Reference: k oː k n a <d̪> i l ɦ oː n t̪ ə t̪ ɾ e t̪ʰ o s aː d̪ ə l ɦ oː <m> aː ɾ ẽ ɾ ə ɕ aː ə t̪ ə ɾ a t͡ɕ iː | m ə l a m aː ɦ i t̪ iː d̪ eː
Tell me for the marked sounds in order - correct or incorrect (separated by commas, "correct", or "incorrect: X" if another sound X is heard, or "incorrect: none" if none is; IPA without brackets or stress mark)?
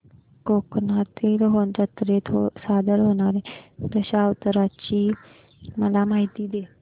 incorrect: t̪, incorrect: n